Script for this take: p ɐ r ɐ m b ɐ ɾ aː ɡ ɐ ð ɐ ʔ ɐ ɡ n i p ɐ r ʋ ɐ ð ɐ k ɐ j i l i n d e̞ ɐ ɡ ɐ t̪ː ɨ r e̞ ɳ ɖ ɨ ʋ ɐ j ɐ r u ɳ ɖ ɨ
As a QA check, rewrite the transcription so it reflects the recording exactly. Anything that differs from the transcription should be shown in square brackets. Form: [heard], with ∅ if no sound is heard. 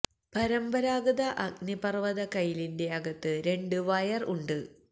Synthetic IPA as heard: p ɐ [ɾ] ɐ m b ɐ ɾ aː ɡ ɐ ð ɐ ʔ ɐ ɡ n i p ɐ r ʋ ɐ ð ɐ k ɐ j i l i n d e̞ ɐ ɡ ɐ t̪ː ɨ [ɾ] e̞ ɳ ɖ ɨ ʋ ɐ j ɐ r u ɳ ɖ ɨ